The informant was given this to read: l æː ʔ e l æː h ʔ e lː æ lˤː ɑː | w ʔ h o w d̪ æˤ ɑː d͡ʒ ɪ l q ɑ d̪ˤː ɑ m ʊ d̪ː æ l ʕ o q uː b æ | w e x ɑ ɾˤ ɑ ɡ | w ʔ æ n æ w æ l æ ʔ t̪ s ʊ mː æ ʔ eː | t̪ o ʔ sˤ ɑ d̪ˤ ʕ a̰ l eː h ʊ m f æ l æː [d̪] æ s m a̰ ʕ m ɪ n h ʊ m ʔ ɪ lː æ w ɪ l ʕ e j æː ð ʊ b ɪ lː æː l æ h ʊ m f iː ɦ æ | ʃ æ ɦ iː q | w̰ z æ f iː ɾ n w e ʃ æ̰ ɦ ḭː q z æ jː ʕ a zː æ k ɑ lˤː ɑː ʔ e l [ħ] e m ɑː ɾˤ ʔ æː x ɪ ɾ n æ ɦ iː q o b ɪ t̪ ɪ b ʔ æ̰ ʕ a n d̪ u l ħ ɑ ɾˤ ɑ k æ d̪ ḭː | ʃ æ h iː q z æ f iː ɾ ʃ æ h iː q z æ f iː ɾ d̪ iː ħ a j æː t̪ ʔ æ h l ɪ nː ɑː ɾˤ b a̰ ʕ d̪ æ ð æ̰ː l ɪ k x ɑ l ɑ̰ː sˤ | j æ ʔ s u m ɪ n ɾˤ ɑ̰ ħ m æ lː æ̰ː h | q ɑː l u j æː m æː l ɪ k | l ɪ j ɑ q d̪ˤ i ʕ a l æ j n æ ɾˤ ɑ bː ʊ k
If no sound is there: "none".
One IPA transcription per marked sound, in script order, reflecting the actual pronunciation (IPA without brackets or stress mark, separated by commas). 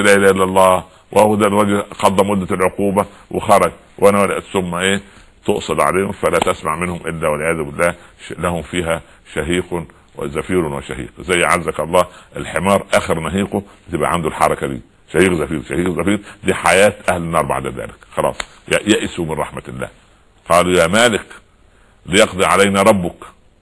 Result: t̪, ħ